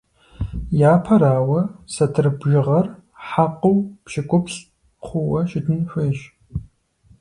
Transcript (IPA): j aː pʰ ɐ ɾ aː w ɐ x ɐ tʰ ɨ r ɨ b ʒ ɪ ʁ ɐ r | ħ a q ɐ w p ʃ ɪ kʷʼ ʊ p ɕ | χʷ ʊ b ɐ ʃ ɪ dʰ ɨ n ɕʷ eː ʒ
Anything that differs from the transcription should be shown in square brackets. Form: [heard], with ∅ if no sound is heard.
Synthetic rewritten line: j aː pʰ ɐ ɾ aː w ɐ [s] ɐ tʰ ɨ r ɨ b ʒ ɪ ʁ ɐ r | ħ a q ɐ w p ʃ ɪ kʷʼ ʊ p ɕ | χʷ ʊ [w] ɐ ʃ ɪ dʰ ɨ n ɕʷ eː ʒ

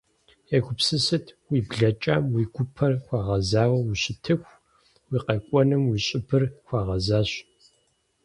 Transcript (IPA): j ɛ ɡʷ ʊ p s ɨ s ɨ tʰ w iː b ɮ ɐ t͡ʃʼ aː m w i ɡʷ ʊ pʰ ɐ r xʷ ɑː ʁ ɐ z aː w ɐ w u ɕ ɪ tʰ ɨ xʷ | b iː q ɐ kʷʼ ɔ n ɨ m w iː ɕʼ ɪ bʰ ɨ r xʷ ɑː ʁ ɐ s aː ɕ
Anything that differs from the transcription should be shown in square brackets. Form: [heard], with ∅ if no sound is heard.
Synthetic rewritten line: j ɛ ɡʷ ʊ p s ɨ s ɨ tʰ w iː b ɮ ɐ t͡ʃʼ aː m w i ɡʷ ʊ pʰ ɐ r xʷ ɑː ʁ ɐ z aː w ɐ w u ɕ ɪ tʰ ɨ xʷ | [w] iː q ɐ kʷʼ ɔ n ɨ m w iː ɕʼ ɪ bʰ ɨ r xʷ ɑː ʁ ɐ [z] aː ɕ

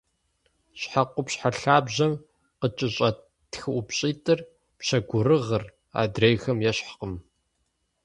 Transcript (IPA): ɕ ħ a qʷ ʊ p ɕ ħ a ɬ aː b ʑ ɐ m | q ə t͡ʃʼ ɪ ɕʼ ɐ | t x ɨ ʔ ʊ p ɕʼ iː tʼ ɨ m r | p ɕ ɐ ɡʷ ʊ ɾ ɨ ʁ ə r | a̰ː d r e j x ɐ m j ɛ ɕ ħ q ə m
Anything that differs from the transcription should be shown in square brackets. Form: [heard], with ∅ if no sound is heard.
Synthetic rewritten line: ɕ ħ a qʷ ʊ p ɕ ħ a ɬ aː b ʑ ɐ m | q ə t͡ʃʼ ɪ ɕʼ ɐ | t x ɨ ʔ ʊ p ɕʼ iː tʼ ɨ [∅] r | p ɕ ɐ ɡʷ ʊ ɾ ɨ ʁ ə r | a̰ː d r e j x ɐ m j ɛ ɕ ħ q ə m

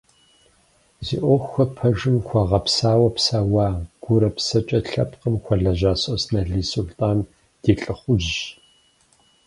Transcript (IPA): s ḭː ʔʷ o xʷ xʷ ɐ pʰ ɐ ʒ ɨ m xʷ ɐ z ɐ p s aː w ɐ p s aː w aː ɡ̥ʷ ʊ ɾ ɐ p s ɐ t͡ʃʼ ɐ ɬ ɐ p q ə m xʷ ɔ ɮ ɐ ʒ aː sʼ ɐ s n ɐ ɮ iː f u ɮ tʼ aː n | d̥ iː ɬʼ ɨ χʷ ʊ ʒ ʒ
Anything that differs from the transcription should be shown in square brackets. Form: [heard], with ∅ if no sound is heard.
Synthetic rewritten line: [z] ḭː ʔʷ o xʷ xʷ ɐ pʰ ɐ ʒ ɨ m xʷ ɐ [ʁ] ɐ p s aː w ɐ p s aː w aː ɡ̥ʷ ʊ ɾ ɐ p s ɐ t͡ʃʼ ɐ ɬ ɐ p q ə m xʷ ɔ ɮ ɐ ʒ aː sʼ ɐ s n ɐ ɮ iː [s] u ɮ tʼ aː n | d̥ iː ɬʼ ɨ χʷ ʊ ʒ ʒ

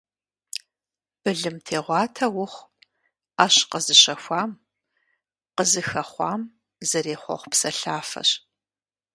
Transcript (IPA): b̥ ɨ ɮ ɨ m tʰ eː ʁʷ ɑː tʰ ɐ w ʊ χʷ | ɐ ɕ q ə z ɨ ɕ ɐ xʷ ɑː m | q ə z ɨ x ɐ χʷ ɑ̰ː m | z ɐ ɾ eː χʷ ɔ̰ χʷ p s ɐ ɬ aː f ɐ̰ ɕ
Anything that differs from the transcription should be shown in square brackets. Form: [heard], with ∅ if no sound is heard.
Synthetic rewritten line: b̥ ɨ ɮ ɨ m tʰ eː ʁʷ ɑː tʰ ɐ w ʊ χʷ | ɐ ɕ q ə z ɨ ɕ ɐ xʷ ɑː m | q ə z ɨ x ɐ χʷ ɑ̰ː m | z ɐ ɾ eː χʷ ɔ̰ χʷ p s ɐ ɬ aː f ɐ̰ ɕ

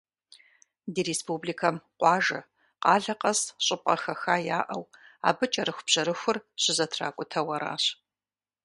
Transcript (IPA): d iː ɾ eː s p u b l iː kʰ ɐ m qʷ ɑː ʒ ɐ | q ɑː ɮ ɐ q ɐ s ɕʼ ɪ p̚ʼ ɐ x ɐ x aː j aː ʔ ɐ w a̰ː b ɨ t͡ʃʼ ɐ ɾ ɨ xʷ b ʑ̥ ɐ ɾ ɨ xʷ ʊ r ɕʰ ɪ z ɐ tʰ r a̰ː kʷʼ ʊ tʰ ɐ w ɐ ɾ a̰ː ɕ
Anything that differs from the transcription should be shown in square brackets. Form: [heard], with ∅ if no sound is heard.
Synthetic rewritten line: d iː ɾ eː s p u b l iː kʰ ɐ m qʷ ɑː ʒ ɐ | q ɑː ɮ ɐ q ɐ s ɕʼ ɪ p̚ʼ ɐ x ɐ x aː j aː ʔ ɐ w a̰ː b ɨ t͡ʃʼ ɐ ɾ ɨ xʷ b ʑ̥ ɐ ɾ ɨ xʷ ʊ r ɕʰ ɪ z ɐ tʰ r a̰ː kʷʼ ʊ tʰ ɐ w ɐ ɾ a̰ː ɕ

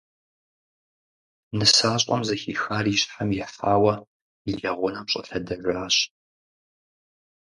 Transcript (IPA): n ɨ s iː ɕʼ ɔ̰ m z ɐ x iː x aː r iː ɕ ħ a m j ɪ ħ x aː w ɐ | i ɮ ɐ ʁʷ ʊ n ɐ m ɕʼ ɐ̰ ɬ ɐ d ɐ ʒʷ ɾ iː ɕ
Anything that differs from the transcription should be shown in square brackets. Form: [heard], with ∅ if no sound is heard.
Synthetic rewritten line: n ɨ s [aː] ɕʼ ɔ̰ m z ɐ x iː x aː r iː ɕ ħ a m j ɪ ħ [f] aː w ɐ | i ɮ ɐ ʁʷ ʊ n ɐ m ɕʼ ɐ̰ ɬ ɐ d ɐ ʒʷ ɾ [aː] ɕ

